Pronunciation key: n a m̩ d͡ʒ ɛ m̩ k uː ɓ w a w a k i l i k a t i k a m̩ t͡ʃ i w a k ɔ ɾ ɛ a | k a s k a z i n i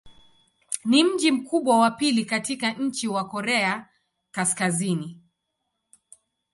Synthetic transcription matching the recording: n i m̩ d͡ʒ i m̩ k u ɓ w a w a p i l i k a t i k a ɲ̩ t͡ʃ i w a k ɔ ɾ ɛ a | k a s k a z i n i